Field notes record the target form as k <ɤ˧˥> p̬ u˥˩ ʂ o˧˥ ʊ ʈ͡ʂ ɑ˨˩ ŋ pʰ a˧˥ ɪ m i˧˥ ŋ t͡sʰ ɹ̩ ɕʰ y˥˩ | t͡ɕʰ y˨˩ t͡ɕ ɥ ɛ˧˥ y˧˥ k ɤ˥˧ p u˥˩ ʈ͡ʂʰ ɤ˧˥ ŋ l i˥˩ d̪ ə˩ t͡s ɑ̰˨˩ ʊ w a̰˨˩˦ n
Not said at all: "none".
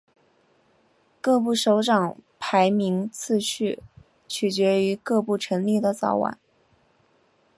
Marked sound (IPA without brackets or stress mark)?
ɤ˥˧